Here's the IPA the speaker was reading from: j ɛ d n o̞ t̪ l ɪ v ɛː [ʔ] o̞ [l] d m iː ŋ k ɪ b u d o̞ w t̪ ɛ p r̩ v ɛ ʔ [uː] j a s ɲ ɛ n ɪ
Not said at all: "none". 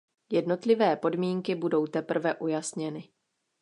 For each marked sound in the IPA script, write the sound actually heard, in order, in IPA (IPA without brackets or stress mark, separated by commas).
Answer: p, none, u